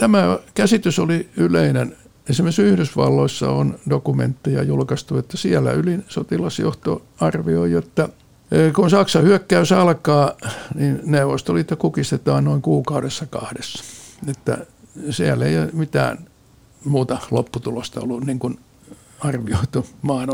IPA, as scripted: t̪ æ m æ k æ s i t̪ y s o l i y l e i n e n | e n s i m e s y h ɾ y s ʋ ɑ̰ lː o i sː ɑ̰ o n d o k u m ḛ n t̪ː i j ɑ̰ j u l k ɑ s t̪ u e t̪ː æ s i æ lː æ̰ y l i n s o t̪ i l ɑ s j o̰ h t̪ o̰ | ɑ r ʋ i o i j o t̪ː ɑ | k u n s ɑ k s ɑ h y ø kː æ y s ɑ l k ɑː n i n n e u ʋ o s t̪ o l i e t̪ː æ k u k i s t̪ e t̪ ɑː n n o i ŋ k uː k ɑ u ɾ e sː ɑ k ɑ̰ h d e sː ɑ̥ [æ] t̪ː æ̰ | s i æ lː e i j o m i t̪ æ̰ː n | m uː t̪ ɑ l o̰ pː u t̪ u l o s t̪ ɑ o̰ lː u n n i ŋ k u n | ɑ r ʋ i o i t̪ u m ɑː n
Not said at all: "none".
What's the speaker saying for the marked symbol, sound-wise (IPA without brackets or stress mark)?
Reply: e